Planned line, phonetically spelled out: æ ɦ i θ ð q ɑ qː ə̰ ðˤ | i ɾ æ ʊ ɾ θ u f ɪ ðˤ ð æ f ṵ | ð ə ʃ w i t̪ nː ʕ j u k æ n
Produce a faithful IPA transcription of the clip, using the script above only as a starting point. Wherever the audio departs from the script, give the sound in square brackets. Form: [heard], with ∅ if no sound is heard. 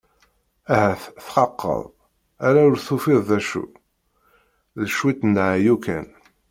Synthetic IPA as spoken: æ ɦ [æ] θ [θ] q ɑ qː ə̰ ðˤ | [æ] ɾ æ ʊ ɾ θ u f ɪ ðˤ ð æ [ʃ] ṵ | ð ə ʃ w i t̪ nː ʕ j u k æ n

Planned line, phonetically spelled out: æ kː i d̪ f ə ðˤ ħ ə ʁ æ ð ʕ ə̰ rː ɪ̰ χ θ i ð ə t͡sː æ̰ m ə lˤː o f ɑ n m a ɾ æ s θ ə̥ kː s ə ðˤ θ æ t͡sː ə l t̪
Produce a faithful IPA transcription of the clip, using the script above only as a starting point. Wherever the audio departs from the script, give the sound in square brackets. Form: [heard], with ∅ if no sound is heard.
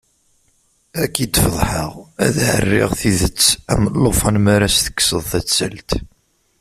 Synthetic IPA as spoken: æ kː i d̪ f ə ðˤ ħ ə ʁ æ ð ʕ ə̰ rː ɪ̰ [ʁ] θ i ð ə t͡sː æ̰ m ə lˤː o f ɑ n m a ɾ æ s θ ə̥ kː s ə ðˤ θ æ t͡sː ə l t̪

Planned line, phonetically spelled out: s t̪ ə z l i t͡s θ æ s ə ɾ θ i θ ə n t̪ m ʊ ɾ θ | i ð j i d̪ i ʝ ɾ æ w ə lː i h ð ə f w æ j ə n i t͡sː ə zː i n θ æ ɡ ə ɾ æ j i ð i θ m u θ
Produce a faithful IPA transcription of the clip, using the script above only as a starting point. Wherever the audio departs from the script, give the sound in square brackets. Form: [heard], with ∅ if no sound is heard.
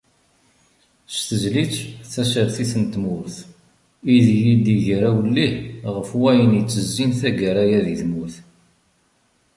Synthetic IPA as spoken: s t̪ ə z l i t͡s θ æ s ə ɾ θ i θ ə n t̪ m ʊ ɾ θ | i ð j i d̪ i ʝ ɾ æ w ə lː i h [ʁ] ə f w æ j ə n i t͡sː ə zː i n θ æ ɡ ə ɾ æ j [æ] ð i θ m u θ

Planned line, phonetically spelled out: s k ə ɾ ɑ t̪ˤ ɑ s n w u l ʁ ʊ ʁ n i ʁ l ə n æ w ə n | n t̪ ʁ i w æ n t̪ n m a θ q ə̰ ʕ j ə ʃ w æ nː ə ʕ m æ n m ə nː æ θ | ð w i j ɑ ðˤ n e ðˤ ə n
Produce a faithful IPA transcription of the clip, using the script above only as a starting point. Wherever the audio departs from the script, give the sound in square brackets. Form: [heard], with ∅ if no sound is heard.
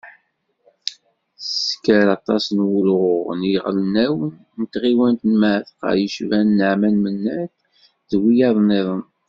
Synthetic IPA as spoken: s k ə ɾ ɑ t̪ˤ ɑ s n w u l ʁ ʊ ʁ n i ʁ l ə n æ w ə n | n t̪ ʁ i w æ n t̪ n m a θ q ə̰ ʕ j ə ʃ [v] æ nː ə ʕ m æ n m ə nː æ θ | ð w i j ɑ ðˤ n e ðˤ ə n

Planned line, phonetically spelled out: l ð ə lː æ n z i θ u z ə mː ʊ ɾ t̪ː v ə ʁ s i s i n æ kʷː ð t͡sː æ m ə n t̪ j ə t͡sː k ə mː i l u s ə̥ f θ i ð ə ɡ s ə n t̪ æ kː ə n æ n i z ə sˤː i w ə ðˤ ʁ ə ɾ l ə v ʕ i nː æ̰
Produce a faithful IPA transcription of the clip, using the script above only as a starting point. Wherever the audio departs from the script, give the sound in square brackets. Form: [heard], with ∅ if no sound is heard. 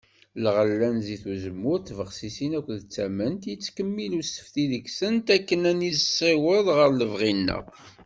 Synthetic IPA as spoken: l [ʁ] ə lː æ n z i θ u z ə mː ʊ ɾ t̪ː v ə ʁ s i s i n æ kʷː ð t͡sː æ m ə n t̪ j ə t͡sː k ə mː i l u s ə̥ f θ i ð ə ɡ s ə n t̪ æ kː ə n æ n i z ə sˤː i w ə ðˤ ʁ ə ɾ l ə v [ʁ] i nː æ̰

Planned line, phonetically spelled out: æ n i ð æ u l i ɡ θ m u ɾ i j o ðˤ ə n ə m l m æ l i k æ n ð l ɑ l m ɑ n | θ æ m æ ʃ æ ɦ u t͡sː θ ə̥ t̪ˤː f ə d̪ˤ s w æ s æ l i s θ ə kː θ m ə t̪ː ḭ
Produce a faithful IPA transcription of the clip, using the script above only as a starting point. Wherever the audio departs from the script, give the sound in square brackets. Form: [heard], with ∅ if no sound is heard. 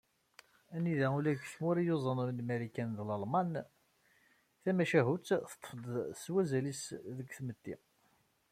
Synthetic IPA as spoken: æ n i ð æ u l [æ] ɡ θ m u ɾ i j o [zˤ] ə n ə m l m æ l i k æ n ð l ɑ l m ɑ n | θ æ m æ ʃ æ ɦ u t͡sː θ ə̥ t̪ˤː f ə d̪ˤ s w æ [z] æ l i s [ð] ə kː θ m ə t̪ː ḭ

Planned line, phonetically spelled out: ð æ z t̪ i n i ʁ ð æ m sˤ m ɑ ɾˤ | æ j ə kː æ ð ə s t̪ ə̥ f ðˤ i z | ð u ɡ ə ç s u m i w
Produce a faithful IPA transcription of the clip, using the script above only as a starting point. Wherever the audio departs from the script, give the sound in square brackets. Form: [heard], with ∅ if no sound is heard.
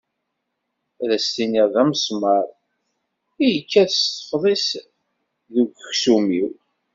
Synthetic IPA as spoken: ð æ [s] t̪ i n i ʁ ð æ m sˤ m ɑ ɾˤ | [i] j ə kː æ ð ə s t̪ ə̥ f ðˤ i [s] | ð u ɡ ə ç s u m i w

